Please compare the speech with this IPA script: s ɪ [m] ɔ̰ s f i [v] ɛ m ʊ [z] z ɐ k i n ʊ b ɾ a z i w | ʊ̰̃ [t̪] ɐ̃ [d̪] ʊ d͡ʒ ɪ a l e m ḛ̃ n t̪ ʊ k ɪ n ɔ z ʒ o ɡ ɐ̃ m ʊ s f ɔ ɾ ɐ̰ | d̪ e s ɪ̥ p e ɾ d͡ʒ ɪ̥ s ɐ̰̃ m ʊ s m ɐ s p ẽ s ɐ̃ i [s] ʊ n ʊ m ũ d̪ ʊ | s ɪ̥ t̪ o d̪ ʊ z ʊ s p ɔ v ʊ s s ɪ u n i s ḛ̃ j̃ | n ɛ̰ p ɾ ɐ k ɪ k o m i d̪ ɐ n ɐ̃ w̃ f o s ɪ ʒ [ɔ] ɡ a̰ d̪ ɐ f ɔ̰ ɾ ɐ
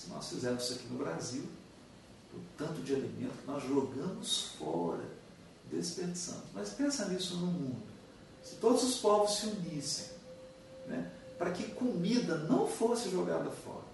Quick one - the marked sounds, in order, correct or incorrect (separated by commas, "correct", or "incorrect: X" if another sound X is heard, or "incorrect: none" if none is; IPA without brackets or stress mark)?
incorrect: n, incorrect: z, correct, correct, incorrect: t̪, correct, incorrect: o